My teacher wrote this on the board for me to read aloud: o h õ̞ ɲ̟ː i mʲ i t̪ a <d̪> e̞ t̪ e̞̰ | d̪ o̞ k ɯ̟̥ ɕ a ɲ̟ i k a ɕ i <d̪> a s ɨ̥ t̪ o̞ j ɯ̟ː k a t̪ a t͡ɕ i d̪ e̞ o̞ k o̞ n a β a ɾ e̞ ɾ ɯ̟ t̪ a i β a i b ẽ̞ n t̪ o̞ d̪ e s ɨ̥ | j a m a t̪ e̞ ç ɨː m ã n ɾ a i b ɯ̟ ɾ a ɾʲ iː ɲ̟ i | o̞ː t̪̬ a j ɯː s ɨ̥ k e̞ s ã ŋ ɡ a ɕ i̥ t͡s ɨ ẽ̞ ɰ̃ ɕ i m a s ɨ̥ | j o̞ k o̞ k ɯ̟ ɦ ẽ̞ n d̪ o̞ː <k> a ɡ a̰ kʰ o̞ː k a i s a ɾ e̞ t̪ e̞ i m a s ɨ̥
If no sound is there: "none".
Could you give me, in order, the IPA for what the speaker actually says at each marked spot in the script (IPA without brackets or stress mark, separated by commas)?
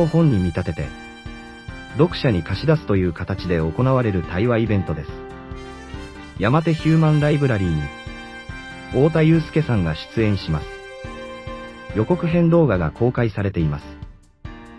t̪, d̪, ɡ